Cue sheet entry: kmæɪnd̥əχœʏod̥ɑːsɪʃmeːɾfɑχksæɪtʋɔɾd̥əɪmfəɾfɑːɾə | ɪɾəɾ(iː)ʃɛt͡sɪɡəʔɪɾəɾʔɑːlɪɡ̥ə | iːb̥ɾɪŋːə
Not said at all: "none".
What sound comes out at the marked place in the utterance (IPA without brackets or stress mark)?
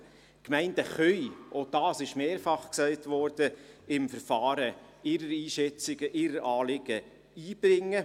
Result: iː